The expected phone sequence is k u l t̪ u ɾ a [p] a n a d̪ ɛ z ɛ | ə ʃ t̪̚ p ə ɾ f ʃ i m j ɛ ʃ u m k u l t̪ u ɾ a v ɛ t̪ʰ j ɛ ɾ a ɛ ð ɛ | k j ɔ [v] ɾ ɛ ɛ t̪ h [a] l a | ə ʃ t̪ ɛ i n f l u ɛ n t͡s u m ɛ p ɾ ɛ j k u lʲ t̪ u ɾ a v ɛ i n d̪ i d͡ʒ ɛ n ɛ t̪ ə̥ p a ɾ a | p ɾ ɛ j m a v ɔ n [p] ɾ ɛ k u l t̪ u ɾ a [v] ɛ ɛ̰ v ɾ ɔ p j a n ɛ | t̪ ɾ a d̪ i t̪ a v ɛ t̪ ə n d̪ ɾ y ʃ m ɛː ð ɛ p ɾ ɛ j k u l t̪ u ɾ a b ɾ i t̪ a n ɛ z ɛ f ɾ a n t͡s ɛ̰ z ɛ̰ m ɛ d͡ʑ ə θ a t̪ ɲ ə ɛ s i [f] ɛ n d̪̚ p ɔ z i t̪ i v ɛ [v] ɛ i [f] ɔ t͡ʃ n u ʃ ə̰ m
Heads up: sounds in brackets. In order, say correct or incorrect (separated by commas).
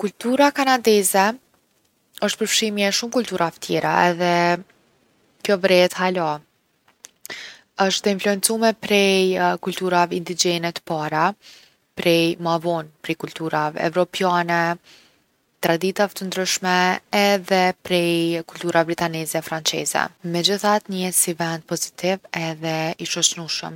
incorrect, correct, correct, correct, correct, incorrect, incorrect, incorrect